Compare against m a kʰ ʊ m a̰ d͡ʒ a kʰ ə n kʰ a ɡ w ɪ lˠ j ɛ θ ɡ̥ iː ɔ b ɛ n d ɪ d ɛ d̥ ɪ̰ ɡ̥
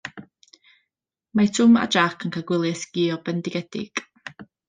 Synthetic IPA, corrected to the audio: m a tʰ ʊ m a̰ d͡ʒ a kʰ ə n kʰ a ɡ w ɪ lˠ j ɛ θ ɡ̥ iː ɔ b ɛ n d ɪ ɡ ɛ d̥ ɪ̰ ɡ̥